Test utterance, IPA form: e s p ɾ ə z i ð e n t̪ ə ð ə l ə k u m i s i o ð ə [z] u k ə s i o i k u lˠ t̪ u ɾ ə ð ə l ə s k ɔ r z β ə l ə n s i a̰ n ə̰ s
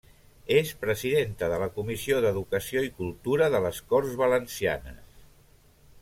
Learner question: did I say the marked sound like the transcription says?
no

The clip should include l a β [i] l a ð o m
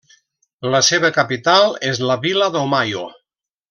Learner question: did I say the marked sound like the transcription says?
yes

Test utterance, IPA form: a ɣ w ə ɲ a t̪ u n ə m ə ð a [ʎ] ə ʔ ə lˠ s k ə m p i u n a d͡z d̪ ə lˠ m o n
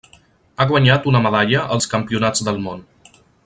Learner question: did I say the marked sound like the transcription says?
yes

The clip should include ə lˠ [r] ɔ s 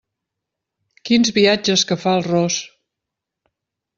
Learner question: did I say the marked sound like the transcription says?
yes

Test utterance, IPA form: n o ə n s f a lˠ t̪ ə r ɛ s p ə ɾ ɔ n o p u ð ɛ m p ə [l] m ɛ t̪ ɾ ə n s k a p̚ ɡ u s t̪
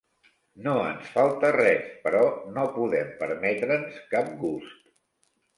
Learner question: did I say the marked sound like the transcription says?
no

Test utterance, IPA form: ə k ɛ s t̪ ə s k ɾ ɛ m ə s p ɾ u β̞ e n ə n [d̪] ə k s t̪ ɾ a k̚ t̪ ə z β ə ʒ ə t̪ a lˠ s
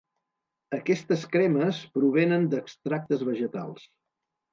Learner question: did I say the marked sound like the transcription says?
yes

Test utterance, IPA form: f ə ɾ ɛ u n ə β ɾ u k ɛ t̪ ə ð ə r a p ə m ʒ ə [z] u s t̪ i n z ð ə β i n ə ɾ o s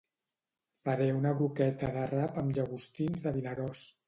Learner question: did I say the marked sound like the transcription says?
no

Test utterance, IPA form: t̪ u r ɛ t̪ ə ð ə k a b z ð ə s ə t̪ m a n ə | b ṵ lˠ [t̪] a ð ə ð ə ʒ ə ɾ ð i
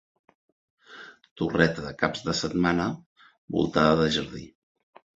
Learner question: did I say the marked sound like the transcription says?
yes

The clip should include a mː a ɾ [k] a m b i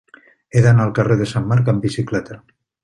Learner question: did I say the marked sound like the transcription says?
yes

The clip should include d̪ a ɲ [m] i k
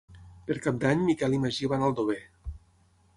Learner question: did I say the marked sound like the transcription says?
yes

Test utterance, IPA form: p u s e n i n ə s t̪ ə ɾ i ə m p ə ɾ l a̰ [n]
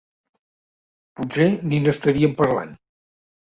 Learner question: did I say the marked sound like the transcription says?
yes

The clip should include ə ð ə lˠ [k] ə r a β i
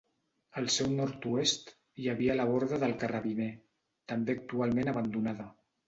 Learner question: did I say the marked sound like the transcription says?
yes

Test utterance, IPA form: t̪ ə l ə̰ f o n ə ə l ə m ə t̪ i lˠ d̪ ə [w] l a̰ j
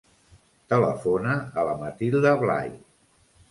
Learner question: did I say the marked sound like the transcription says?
no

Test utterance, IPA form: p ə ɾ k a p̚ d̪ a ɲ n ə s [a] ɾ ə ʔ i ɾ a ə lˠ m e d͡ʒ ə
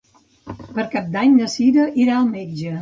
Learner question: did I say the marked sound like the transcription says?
no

